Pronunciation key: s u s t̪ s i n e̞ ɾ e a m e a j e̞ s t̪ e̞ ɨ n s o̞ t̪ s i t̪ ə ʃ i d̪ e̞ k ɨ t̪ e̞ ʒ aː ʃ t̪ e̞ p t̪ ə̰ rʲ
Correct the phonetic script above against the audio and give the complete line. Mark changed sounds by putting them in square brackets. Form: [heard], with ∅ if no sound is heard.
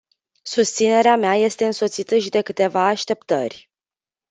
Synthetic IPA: s u s t̪ s i n e̞ ɾ e a m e a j e̞ s t̪ e̞ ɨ n s o̞ t̪ s i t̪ ə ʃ i d̪ e̞ k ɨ t̪ e̞ [v] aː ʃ t̪ e̞ p t̪ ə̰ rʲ